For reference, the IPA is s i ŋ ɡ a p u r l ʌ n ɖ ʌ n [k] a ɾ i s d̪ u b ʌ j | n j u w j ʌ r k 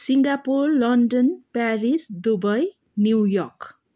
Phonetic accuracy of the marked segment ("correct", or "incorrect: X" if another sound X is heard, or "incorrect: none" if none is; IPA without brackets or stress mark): incorrect: p